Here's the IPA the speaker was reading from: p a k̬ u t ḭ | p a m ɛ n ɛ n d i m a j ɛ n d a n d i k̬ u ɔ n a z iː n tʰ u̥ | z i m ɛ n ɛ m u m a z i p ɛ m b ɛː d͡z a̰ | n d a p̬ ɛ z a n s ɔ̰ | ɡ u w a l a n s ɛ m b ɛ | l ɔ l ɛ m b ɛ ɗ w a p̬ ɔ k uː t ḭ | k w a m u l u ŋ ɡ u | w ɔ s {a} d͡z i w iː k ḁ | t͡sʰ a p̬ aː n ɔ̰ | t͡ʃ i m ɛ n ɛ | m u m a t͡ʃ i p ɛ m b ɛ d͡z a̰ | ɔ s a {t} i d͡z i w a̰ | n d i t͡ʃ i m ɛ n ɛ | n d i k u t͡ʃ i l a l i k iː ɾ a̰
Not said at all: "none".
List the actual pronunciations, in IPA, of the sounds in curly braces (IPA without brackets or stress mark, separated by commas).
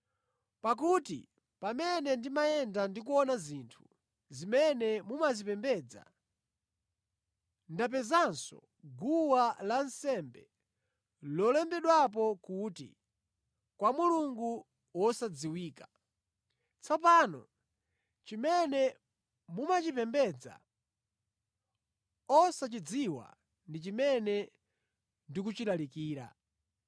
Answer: a, t͡ʃ